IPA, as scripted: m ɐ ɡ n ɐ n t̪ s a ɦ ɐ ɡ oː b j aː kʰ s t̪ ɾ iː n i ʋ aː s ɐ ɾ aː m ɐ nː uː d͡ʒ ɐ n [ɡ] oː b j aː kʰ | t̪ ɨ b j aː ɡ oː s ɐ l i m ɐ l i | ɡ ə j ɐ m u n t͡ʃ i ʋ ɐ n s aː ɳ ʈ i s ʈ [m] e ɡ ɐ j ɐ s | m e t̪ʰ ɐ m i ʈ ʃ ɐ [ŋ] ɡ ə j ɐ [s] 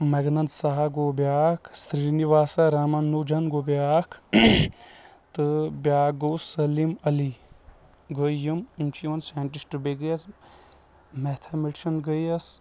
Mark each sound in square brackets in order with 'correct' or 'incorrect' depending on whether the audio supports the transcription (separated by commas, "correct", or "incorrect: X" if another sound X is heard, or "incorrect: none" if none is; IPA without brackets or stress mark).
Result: correct, incorrect: b, incorrect: n, correct